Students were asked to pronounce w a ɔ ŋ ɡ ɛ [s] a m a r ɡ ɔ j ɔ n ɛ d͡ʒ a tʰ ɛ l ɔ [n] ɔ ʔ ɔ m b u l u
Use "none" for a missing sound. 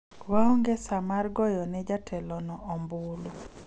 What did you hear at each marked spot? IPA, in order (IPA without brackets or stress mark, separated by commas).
s, n